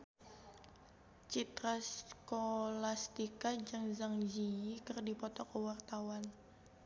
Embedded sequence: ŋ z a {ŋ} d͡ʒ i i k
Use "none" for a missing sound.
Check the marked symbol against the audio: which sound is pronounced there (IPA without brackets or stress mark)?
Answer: ŋ